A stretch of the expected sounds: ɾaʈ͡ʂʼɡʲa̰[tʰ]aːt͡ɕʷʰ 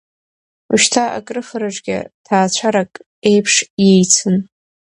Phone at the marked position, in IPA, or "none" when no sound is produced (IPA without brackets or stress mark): tʰ